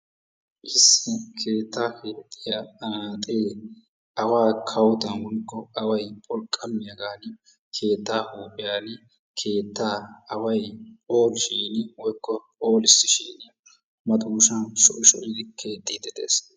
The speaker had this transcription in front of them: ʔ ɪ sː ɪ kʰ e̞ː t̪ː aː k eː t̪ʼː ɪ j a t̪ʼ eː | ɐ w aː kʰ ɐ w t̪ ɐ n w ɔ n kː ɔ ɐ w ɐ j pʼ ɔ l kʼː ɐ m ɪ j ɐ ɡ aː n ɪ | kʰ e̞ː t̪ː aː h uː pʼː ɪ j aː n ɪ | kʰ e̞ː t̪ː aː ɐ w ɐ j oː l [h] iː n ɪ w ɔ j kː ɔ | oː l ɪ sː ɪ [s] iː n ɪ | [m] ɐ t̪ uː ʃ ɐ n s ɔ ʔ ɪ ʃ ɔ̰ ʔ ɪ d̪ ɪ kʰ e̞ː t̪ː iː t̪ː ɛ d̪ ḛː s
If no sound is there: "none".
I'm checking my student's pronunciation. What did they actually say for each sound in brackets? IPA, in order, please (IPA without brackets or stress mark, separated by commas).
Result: ʃ, ʃ, m